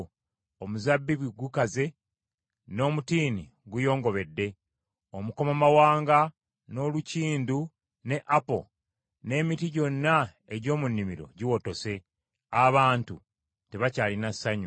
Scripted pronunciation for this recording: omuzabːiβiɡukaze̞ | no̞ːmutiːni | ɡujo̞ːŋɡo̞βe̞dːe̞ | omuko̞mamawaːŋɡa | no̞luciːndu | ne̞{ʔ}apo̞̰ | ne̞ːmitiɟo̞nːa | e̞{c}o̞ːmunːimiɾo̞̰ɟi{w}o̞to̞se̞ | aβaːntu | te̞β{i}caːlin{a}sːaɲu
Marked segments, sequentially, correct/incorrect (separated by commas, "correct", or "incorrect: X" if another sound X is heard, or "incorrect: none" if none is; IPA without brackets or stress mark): correct, incorrect: ɟ, correct, incorrect: a, correct